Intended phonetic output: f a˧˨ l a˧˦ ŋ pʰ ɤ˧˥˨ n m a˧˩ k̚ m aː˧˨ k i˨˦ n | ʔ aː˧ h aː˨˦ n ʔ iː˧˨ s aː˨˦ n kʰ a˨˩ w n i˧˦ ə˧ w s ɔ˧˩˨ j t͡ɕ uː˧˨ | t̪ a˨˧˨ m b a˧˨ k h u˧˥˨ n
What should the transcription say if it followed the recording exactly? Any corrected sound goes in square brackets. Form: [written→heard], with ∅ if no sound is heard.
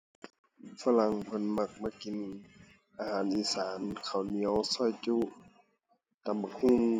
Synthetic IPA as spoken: f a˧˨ l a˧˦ ŋ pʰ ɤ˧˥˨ n m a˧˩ k̚ m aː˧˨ k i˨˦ n | ʔ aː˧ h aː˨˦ n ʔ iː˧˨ s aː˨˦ n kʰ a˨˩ w n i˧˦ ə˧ w s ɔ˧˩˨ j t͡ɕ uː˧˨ | t̪ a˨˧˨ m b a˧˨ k h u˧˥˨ [n→ŋ]